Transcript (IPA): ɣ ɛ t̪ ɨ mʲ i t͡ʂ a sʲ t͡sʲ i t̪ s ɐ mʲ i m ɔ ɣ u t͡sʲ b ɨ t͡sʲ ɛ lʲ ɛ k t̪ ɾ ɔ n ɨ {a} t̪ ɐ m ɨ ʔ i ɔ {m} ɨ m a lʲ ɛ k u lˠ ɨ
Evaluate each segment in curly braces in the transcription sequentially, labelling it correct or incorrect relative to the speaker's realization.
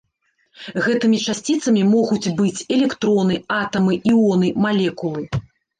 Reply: correct, incorrect: n

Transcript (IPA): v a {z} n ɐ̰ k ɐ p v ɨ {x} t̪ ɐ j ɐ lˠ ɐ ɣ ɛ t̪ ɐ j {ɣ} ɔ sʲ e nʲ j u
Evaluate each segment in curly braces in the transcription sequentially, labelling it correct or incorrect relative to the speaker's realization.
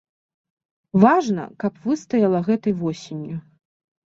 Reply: incorrect: ʐ, incorrect: s, incorrect: v

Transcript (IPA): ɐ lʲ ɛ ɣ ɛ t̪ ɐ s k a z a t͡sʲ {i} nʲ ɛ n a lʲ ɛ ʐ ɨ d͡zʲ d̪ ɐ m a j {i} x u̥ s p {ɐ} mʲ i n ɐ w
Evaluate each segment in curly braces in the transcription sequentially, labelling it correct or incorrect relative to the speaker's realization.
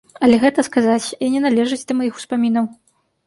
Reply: correct, correct, incorrect: a

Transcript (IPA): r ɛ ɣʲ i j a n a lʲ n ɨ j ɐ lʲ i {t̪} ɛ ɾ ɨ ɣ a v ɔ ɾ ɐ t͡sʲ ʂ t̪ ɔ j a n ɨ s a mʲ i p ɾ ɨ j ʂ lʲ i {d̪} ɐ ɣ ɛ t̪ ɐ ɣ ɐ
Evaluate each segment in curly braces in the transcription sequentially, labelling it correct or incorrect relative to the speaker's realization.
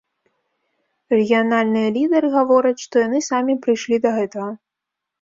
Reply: incorrect: d̪, correct

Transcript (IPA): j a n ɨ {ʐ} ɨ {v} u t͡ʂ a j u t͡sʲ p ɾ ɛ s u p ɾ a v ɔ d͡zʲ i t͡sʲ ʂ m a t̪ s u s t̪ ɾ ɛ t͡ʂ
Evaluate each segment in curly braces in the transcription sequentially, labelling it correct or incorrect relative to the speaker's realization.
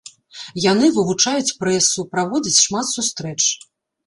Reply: incorrect: v, correct

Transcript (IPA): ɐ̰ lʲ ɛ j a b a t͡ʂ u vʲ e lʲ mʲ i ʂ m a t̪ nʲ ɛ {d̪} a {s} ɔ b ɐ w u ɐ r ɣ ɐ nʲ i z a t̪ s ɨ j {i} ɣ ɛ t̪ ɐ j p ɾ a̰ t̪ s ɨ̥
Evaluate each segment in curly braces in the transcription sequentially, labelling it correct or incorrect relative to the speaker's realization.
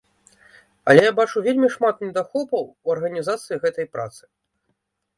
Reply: correct, incorrect: x, correct

